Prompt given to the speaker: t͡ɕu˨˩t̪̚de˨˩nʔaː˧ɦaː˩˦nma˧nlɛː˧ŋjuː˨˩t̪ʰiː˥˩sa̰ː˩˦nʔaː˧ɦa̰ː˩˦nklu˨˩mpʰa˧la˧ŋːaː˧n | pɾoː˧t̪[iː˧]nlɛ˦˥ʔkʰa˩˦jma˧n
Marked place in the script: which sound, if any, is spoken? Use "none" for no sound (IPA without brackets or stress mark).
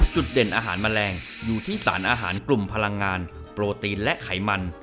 iː˧